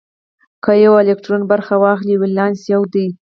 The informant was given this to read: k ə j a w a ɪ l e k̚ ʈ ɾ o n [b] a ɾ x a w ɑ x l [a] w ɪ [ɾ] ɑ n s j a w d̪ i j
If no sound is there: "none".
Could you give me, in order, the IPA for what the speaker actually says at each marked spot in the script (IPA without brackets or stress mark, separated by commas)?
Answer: b, i, l